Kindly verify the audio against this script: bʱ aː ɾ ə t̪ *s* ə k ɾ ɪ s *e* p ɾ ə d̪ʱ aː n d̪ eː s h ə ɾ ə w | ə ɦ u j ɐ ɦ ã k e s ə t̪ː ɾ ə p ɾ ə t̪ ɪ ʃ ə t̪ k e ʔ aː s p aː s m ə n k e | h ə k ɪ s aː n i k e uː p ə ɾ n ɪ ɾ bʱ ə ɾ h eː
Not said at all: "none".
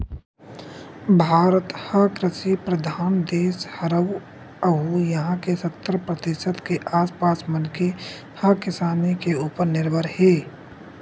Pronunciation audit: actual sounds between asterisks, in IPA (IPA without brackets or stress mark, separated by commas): h, i